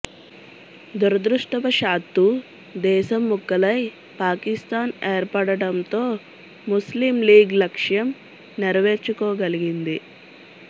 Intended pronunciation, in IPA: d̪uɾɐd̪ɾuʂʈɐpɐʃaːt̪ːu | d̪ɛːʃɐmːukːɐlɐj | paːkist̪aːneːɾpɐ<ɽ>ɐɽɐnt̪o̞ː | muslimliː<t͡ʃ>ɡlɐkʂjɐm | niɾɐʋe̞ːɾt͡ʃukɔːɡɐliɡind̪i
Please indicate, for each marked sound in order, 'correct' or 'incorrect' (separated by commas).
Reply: correct, incorrect